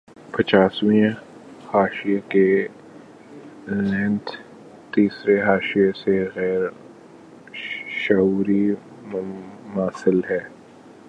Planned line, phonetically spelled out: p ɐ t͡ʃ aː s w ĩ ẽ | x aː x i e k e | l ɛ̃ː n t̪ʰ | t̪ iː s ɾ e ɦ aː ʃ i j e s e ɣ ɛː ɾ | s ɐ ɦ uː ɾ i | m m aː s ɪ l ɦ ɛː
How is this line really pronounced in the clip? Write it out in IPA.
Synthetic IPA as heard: p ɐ t͡ʃ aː s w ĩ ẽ | h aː ʃ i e k e | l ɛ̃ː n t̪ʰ | t̪ iː s ɾ e ɦ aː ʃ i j e s e ɣ ɛː ɾ | ʃ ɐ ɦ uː ɾ i | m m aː s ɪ l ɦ ɛː